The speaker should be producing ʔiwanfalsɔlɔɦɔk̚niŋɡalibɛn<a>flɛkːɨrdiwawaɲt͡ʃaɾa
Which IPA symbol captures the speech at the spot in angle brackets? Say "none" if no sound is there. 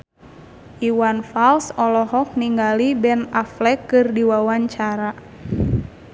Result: a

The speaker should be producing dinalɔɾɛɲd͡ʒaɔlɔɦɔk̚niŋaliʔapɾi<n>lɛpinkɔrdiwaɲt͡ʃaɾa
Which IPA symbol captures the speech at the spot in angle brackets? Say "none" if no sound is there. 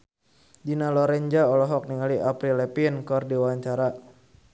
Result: none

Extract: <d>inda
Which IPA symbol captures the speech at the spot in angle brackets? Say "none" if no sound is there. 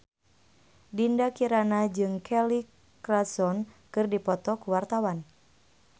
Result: d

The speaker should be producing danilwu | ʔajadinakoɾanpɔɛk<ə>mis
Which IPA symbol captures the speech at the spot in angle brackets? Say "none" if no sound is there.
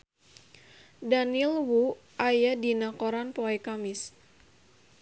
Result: a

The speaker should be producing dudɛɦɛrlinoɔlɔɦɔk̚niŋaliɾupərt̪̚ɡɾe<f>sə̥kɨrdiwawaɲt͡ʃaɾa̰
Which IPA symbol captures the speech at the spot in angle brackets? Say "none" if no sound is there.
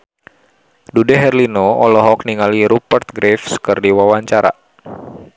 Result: f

